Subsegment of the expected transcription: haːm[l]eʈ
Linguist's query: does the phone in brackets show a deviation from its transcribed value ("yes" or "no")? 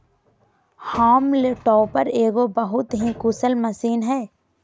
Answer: no